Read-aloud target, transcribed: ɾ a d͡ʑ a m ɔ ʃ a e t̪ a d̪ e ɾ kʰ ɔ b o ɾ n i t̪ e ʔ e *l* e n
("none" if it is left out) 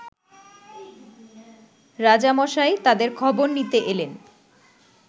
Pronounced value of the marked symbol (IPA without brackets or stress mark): l